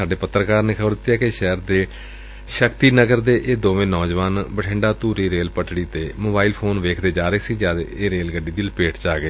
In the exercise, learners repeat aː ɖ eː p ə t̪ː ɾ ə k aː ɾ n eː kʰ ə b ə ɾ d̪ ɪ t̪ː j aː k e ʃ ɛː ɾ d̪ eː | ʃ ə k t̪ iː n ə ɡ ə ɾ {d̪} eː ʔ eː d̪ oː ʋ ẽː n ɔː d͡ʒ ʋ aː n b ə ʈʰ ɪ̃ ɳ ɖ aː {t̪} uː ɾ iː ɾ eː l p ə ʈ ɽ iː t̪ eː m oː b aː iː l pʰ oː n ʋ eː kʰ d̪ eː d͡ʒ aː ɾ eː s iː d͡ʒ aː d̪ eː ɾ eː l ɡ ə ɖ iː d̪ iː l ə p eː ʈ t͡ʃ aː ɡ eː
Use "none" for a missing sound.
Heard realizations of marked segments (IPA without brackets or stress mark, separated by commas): d̪, t̪